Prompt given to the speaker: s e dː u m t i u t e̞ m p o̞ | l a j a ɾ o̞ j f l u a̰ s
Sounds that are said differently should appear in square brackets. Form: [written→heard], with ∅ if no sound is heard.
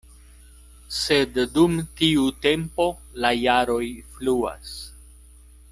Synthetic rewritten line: s e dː u m t i u t e̞ m p o̞ | l a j a ɾ o̞ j f l u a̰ s